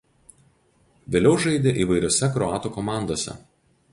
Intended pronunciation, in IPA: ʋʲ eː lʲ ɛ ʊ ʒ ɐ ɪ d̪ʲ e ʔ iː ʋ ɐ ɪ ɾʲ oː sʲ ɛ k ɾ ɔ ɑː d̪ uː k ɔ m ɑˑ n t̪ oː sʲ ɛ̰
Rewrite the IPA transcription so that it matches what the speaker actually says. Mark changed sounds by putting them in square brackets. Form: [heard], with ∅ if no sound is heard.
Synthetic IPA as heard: ʋʲ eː lʲ ɛ ʊ ʒ ɐ ɪ d̪ʲ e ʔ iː ʋ ɐ ɪ ɾʲ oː sʲ ɛ k ɾ ɔ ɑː [t̪] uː k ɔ m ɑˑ n [d̪] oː sʲ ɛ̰